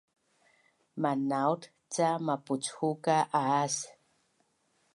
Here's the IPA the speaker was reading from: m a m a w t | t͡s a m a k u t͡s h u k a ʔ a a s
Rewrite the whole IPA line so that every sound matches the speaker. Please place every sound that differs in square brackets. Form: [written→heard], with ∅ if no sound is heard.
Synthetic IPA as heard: m a [m→n] a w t | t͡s a m a [k→p] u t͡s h u k a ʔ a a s

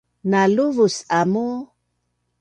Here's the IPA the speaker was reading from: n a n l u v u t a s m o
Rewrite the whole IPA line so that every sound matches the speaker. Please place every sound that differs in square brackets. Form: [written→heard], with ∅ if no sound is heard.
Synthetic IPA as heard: n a [n→∅] l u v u [t→s] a [s→∅] m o

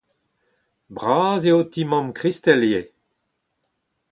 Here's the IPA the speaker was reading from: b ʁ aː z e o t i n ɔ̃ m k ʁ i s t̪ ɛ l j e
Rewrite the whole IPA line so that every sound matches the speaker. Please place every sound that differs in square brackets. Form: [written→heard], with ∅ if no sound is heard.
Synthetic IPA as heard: b ʁ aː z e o t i [n→m] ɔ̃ m k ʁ i s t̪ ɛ l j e

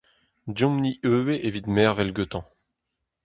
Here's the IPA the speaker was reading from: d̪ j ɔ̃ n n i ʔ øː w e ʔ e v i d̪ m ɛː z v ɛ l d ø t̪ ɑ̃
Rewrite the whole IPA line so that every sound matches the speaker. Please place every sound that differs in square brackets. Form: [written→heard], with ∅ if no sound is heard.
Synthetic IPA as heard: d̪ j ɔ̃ [n→m] n i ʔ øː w e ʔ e v i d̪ m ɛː [z→ʁ] v ɛ l [d→ɡ] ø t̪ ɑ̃

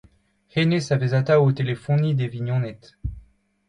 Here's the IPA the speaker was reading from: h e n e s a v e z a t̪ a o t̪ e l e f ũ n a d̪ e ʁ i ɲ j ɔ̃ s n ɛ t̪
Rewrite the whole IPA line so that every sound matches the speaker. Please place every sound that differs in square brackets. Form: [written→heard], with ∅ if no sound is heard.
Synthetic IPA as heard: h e n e s a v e z a t̪ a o t̪ e l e f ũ n [a→i] d̪ e [ʁ→v] i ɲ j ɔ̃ [s→∅] n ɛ t̪

